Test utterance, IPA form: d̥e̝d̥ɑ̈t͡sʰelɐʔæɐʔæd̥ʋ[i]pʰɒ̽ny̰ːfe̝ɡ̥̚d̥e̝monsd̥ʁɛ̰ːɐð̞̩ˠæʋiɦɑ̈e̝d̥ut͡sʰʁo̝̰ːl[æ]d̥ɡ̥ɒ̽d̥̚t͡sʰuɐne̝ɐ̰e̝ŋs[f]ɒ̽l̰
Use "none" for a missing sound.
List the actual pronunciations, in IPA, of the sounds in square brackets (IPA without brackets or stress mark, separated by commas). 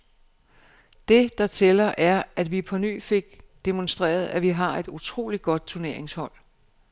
i, i, h